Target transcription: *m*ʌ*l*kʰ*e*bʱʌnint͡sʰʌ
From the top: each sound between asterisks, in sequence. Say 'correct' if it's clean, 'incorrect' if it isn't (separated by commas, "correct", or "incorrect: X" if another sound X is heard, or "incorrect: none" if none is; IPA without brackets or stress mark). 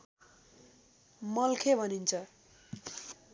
correct, correct, correct